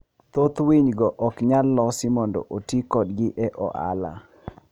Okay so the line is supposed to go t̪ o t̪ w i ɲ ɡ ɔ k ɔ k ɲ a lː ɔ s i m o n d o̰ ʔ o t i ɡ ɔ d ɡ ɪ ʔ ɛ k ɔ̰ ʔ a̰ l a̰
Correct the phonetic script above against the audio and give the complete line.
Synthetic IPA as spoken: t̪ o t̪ w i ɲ ɡ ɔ ʔ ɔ k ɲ a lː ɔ s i m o n d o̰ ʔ o t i k ɔ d ɡ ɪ ʔ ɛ ʔ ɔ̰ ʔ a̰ l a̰